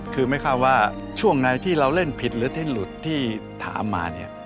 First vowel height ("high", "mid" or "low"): high